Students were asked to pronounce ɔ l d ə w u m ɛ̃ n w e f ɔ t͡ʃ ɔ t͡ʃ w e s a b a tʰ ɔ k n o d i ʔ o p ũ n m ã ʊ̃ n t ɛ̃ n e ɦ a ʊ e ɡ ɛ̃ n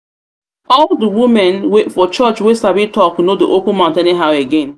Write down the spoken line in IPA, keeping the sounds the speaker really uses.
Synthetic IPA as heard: ɔ l d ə w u m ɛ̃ n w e f ɔ t͡ʃ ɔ t͡ʃ w e s a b i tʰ ɔ k n o d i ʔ o p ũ n m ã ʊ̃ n t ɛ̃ n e ɦ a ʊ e ɡ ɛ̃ n